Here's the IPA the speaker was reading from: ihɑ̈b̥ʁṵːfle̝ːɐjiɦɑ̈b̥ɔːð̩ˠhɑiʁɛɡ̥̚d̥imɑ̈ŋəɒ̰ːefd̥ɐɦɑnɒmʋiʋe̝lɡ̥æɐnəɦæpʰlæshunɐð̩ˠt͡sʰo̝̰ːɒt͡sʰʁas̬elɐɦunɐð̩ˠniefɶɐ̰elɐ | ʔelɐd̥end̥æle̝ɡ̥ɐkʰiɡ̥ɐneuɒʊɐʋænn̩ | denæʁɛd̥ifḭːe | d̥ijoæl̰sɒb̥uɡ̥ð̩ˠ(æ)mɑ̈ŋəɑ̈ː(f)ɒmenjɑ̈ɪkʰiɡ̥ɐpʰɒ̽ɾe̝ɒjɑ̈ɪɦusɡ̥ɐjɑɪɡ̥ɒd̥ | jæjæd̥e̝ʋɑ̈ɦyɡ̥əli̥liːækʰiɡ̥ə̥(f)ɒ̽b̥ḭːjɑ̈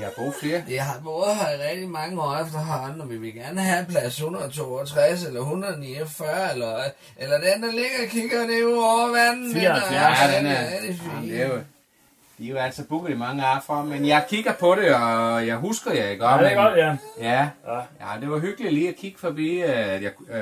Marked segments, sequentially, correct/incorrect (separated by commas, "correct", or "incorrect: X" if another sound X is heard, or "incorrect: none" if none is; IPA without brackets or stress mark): incorrect: i, correct, correct